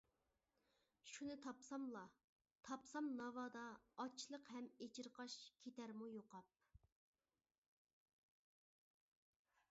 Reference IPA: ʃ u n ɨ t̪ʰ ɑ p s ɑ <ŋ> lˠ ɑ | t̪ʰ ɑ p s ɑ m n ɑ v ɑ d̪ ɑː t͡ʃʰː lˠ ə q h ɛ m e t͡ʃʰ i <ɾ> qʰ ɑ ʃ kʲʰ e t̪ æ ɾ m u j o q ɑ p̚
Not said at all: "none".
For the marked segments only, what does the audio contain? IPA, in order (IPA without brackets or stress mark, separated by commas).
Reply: m, ɾ